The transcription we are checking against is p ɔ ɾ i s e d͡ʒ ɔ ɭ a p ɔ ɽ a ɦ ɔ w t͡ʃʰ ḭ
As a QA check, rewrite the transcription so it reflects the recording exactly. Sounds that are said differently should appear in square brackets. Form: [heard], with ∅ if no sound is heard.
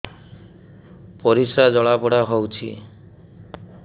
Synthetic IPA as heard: p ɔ ɾ i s [a] d͡ʒ ɔ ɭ a p ɔ ɽ a ɦ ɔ w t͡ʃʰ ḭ